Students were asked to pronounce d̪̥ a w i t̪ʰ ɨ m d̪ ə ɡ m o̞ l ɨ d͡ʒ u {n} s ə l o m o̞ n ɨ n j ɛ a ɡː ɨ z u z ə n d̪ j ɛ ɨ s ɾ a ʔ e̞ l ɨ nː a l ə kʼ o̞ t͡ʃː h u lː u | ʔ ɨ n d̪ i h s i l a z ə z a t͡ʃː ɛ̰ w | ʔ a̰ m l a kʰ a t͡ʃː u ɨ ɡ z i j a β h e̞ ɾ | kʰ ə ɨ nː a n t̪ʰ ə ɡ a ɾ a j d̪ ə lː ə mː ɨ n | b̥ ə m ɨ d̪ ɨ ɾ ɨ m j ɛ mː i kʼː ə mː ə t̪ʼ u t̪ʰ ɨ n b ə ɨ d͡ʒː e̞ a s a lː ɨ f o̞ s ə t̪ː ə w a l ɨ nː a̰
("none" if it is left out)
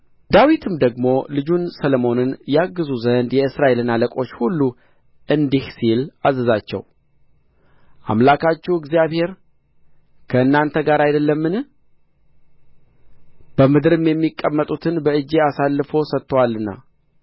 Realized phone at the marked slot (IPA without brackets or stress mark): n